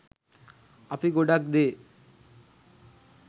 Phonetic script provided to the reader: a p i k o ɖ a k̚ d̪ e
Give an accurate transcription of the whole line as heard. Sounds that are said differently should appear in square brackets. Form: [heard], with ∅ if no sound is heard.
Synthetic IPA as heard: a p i [ɡ] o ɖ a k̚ d̪ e